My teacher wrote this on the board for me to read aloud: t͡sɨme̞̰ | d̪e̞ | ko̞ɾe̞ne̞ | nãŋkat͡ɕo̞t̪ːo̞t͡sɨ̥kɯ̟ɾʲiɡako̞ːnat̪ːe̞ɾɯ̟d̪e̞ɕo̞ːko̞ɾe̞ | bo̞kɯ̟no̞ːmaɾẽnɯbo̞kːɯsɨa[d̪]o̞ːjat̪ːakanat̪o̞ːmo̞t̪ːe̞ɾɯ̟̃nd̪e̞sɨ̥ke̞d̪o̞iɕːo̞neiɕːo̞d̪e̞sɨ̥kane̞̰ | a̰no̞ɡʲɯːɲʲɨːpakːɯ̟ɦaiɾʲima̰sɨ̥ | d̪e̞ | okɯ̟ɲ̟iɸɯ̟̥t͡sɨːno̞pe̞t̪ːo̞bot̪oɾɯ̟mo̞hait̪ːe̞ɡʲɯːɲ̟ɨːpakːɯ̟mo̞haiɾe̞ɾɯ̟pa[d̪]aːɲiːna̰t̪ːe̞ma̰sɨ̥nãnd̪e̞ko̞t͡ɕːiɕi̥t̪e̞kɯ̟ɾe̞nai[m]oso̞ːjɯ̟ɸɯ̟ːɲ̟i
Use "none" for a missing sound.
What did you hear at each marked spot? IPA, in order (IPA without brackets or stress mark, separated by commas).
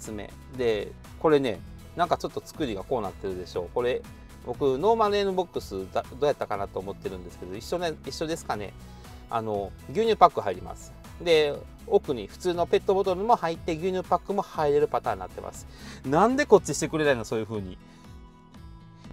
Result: d̪, t̪, n